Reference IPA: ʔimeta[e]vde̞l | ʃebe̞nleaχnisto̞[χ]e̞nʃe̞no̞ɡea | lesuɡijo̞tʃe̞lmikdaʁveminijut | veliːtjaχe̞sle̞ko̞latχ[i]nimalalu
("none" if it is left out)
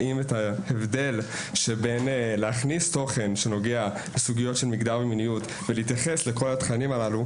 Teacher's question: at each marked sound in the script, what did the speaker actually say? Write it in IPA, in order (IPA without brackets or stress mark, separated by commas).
e, χ, a